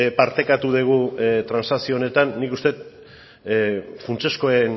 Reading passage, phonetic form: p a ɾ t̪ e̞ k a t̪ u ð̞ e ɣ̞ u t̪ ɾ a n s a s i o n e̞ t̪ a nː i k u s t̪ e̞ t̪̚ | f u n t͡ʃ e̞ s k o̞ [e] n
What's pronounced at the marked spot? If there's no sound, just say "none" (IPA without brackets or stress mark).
e